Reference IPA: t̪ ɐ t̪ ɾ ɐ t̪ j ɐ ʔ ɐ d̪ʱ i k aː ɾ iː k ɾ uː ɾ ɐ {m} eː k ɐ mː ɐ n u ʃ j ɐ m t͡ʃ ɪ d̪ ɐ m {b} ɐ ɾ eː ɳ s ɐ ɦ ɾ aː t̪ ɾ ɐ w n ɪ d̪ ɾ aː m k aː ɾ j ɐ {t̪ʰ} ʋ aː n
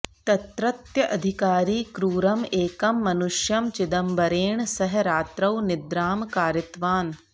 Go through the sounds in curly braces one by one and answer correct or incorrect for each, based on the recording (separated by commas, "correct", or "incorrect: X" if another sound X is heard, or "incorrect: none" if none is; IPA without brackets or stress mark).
correct, correct, incorrect: t̪